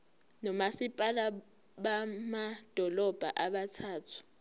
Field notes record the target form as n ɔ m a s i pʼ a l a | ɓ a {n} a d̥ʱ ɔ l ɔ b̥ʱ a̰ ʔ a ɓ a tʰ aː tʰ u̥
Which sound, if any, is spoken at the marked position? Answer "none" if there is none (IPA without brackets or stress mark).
m